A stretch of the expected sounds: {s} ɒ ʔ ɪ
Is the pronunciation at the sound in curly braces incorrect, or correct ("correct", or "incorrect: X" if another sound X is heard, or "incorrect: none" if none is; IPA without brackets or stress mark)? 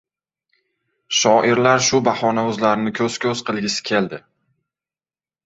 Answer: incorrect: ʃ